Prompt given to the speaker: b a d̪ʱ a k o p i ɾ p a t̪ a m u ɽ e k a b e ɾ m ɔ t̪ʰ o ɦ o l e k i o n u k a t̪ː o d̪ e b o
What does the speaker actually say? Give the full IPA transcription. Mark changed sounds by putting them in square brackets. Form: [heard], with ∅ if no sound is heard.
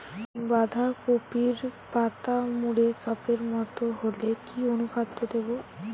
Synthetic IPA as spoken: b a d̪ʱ a k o p i ɾ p a t̪ a m u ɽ e k a [p] e ɾ m ɔ [t̪] o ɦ o l e k i o n u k a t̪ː o d̪ e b o